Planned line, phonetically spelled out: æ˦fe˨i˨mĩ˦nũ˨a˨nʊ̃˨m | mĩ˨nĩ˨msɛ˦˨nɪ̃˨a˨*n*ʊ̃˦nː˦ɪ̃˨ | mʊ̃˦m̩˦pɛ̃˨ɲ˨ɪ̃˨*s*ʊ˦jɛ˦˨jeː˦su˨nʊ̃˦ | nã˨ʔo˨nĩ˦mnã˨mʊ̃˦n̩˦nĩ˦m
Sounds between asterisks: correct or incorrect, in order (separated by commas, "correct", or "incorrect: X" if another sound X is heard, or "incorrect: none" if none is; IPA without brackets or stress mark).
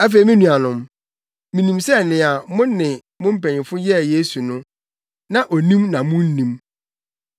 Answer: incorrect: m, incorrect: f